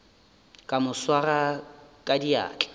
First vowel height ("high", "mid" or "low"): low